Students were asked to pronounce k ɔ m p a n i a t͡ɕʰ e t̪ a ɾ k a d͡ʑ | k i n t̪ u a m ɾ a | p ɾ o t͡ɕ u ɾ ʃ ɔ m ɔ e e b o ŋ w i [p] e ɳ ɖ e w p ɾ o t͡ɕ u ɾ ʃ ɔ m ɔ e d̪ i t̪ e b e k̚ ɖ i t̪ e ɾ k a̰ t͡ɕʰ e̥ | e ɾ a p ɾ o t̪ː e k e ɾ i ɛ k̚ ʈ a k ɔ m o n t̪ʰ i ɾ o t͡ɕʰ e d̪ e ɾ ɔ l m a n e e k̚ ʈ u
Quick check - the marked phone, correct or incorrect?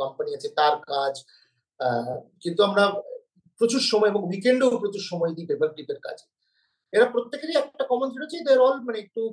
incorrect